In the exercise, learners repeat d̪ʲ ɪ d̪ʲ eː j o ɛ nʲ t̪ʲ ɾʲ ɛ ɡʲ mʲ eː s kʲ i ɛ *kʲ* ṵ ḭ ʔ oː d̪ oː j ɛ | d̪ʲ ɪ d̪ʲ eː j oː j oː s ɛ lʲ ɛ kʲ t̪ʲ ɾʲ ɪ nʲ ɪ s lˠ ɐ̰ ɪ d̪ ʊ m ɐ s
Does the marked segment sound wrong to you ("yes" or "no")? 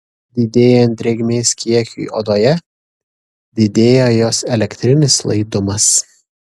no